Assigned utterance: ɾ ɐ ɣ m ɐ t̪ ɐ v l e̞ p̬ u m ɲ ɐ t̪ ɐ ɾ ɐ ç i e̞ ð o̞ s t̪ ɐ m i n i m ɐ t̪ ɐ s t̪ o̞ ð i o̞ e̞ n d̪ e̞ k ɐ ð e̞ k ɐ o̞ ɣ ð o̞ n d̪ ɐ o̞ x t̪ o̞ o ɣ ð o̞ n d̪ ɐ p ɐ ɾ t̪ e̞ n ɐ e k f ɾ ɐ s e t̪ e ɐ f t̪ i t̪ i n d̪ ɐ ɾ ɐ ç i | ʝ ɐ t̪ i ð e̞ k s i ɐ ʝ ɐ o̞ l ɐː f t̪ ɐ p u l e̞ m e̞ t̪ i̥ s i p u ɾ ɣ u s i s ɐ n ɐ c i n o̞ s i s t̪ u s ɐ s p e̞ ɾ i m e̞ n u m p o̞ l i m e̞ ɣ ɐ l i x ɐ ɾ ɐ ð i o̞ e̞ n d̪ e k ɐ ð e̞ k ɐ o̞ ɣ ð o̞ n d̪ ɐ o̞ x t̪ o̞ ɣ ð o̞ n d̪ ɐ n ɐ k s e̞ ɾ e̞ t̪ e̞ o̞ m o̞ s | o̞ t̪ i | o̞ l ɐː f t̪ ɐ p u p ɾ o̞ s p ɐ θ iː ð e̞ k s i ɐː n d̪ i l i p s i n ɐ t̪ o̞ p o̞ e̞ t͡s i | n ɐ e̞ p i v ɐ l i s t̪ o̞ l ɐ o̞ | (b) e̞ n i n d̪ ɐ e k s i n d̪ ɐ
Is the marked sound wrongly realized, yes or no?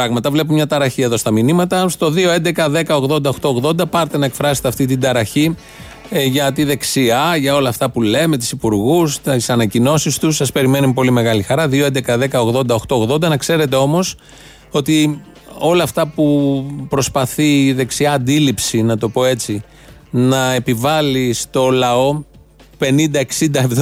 yes